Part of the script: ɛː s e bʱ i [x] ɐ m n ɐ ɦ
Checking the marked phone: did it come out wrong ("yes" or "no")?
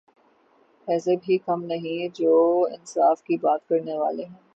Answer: yes